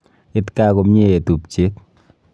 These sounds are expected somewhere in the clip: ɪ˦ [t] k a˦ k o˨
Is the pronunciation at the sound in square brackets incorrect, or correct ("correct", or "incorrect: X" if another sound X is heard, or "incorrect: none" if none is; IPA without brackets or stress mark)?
correct